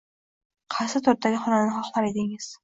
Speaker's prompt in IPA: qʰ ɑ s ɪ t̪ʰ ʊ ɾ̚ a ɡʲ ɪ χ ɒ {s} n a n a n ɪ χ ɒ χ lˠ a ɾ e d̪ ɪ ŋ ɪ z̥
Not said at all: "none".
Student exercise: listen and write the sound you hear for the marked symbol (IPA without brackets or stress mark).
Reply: none